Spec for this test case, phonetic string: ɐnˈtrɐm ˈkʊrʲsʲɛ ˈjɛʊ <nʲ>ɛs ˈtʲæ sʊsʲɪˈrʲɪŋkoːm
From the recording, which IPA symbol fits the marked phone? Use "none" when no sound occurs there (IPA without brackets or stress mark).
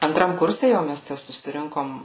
mʲ